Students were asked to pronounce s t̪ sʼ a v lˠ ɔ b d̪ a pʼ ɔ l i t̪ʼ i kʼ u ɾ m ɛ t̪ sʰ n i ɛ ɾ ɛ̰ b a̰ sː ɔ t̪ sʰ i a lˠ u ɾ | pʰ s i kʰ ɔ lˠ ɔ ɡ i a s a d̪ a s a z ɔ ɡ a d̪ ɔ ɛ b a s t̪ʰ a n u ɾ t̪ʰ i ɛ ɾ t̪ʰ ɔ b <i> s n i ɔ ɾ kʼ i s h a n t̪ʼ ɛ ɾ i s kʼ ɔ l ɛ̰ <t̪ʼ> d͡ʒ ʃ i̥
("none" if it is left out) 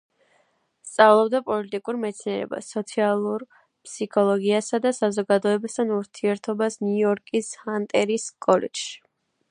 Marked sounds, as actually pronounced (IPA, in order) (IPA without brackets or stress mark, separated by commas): a, none